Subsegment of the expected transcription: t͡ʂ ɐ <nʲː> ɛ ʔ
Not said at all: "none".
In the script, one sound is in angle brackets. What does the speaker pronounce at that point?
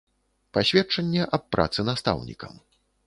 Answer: nʲː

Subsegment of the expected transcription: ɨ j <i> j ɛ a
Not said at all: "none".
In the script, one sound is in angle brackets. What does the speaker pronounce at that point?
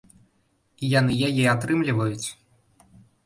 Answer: a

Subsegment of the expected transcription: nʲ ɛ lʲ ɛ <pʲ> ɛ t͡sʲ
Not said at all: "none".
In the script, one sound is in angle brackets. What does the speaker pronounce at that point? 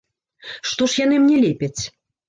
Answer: pʲ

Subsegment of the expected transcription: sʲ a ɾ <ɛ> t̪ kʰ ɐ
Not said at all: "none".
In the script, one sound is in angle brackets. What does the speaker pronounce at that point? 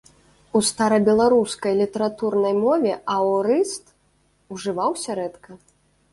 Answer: ɛ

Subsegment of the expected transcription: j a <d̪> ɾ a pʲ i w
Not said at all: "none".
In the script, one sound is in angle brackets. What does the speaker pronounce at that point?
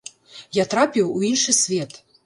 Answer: t̪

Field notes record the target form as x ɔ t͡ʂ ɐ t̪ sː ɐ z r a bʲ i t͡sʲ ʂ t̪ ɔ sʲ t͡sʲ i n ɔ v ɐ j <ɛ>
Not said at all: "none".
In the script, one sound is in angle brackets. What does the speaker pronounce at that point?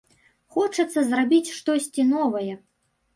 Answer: ɛ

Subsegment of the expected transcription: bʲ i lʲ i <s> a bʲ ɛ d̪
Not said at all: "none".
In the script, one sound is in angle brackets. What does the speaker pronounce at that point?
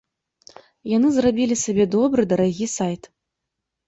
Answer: s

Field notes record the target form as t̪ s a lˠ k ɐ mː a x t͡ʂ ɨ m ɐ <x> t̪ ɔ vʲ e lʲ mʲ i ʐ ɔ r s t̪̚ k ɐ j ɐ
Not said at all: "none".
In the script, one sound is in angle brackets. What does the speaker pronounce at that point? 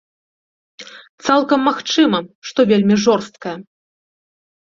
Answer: ʂ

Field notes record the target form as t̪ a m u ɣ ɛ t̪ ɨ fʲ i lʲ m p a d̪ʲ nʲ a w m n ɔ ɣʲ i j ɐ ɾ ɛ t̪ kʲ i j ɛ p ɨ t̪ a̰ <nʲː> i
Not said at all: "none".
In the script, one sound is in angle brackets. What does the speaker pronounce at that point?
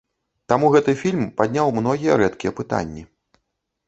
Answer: nʲː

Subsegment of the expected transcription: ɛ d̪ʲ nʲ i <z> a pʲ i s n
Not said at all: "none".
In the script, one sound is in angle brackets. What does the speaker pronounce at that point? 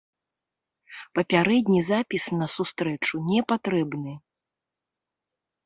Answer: z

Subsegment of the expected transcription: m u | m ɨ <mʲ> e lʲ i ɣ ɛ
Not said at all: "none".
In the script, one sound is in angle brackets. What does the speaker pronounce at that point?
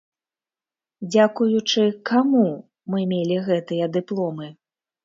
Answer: mʲ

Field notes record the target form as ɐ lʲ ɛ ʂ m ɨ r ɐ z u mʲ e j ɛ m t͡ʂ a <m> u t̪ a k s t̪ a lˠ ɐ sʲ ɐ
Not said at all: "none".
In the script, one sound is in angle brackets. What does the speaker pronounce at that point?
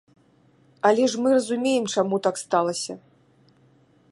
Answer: m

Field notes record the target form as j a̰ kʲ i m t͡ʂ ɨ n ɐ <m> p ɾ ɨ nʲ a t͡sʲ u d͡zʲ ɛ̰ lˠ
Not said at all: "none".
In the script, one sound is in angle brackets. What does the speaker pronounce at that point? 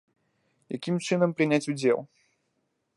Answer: m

